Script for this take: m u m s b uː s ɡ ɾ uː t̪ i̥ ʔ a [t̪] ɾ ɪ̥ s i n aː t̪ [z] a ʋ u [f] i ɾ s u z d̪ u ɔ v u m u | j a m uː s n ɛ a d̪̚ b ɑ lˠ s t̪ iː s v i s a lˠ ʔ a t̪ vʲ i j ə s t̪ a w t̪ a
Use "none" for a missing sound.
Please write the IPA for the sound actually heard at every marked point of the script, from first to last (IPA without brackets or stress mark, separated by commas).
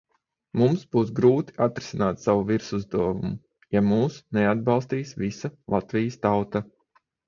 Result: t̪, s, v